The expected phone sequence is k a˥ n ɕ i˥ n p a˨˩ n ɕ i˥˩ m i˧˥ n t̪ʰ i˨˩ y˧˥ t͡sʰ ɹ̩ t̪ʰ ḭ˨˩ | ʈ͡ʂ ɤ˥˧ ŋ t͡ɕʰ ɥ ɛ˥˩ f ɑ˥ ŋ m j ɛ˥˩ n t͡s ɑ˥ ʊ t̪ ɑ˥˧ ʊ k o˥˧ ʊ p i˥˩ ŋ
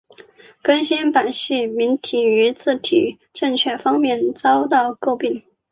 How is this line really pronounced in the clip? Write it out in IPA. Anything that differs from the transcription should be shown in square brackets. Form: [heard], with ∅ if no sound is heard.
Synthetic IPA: k [ə˥] n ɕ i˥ n p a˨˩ n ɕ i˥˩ m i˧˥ n t̪ʰ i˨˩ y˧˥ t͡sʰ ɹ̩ t̪ʰ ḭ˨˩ | ʈ͡ʂ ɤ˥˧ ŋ t͡ɕʰ ɥ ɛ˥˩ f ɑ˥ ŋ m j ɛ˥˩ n t͡s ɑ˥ ʊ t̪ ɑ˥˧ ʊ k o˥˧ ʊ p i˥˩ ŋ